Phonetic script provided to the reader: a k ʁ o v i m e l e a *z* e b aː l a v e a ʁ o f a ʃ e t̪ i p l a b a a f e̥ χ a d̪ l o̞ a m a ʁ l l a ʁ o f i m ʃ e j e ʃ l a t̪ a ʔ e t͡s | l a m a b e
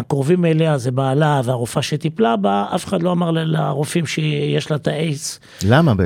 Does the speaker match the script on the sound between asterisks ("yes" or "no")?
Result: yes